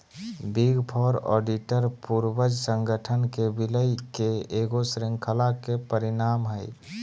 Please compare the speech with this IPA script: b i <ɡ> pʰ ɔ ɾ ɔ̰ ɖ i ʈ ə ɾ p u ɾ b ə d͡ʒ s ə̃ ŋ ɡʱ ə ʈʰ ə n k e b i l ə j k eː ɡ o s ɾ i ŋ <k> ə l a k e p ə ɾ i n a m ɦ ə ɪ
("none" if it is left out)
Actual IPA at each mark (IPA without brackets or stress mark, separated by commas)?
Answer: ɡ, kʰ